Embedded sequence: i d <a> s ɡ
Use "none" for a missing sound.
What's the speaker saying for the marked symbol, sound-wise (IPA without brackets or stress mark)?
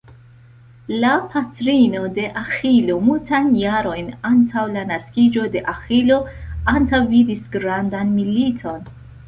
i